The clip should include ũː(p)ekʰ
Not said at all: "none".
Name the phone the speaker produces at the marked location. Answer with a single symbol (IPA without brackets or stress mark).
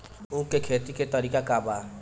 k